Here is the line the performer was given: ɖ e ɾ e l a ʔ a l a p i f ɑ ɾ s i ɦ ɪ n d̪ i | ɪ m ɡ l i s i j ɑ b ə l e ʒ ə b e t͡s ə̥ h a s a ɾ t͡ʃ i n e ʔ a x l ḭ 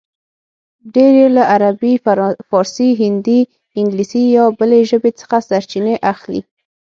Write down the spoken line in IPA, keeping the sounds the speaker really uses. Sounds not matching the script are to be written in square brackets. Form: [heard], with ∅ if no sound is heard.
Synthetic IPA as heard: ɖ e ɾ e l a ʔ a [ɾ] a [b] i f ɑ ɾ s i ɦ ɪ n d̪ i | ɪ [ŋ] ɡ l i s i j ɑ b ə l e ʒ ə b e t͡s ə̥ [x] a s a ɾ t͡ʃ i n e ʔ a x l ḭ